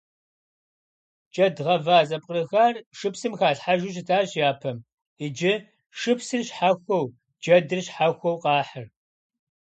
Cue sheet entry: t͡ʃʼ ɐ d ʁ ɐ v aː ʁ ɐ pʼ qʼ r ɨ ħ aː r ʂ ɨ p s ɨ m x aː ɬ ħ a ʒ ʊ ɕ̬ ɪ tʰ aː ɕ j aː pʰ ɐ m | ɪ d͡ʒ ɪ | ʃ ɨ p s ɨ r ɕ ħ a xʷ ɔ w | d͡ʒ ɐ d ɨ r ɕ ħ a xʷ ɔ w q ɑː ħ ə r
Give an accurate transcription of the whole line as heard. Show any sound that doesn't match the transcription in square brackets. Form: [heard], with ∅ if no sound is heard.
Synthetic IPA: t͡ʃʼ ɐ d ʁ ɐ v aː [z] ɐ pʼ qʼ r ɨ [x] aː r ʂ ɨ p s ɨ m x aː ɬ ħ a ʒ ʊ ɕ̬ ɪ tʰ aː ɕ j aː pʰ ɐ m | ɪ d͡ʒ ɪ | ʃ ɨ p s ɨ r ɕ ħ a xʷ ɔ w | d͡ʒ ɐ d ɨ r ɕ ħ a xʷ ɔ w q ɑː ħ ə r